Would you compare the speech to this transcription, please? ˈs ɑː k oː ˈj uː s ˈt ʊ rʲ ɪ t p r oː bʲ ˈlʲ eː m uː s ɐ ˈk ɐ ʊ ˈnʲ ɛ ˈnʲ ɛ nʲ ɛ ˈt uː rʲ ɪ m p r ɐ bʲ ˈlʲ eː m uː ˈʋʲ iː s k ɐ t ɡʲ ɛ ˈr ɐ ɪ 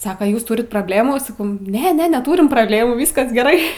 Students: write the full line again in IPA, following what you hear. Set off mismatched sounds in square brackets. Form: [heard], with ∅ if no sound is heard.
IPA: ˈs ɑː k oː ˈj uː s ˈt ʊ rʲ ɪ t p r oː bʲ ˈlʲ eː m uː s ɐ ˈk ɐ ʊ ˈnʲ ɛ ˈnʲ ɛ nʲ ɛ ˈt uː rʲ ɪ m p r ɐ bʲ ˈlʲ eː m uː ˈʋʲ iː s k ɐ [s] ɡʲ ɛ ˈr ɐ ɪ